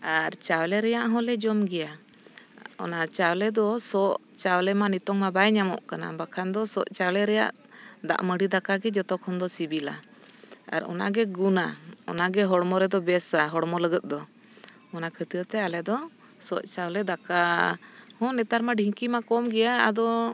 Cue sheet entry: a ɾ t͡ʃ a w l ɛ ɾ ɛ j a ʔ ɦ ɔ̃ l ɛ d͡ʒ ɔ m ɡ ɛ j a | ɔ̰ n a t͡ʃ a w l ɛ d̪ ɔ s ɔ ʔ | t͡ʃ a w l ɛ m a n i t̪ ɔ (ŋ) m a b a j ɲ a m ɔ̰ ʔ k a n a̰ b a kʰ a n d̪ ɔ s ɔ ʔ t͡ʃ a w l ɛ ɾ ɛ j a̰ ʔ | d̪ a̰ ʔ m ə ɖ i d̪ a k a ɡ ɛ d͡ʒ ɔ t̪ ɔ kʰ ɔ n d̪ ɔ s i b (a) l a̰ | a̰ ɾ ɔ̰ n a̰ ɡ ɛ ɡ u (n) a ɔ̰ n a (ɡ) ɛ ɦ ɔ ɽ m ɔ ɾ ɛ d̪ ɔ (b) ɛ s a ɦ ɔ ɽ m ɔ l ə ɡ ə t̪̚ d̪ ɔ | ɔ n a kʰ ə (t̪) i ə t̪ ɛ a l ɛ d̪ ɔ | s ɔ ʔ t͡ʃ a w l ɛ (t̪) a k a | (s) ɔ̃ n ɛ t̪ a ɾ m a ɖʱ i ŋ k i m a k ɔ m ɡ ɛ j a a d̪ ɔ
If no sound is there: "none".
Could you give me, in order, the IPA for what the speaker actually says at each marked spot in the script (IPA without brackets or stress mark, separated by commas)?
ŋ, i, n, ɡ, b, t̪, d̪, h